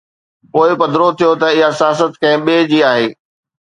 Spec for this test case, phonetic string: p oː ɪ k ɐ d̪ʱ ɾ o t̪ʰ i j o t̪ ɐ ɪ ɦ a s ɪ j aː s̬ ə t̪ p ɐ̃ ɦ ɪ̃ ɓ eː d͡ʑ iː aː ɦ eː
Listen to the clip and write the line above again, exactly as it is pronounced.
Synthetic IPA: p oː ɪ p ɐ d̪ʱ ɾ o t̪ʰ i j o t̪ ɐ ɪ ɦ a s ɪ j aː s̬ ə t̪ k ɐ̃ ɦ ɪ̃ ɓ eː d͡ʑ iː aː ɦ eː